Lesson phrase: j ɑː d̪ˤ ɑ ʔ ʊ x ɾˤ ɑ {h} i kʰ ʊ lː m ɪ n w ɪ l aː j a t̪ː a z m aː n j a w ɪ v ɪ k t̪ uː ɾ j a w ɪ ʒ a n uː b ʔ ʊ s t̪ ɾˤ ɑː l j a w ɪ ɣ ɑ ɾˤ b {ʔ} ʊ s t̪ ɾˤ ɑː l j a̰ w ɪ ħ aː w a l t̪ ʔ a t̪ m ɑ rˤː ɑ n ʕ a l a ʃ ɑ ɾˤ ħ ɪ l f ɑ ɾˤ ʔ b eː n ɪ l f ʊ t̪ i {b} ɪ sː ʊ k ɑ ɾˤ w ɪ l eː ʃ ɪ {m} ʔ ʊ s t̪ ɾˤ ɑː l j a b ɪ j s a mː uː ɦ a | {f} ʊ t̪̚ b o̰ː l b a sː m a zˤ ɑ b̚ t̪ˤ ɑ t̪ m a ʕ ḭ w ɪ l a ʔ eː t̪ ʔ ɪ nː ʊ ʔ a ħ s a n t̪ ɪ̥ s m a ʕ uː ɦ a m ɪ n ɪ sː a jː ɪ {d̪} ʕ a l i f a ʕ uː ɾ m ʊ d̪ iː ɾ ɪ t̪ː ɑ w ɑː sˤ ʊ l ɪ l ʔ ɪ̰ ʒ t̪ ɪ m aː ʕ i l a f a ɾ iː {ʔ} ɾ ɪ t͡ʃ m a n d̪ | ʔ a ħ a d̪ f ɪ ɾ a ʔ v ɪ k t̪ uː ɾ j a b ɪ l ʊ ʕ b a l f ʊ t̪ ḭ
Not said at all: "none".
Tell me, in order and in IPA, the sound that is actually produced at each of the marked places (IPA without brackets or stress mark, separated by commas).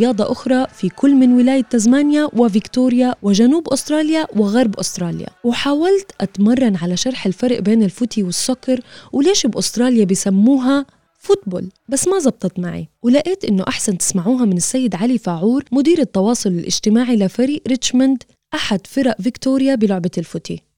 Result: f, ʔ, w, b, f, d̪, ʔ